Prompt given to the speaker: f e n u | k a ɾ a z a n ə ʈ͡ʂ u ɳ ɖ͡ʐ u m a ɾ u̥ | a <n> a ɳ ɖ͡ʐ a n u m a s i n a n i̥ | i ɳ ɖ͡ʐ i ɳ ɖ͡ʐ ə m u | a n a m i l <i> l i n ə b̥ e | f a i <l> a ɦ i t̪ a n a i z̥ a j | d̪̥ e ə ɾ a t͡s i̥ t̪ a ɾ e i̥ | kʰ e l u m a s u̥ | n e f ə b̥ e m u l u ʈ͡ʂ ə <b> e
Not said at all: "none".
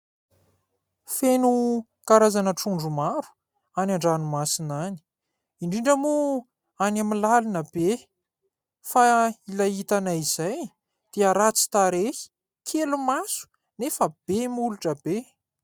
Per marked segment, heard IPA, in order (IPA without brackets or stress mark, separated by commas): n, a, l, b